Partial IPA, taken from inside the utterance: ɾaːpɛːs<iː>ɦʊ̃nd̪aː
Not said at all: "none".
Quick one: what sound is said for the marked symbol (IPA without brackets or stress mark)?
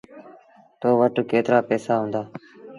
aː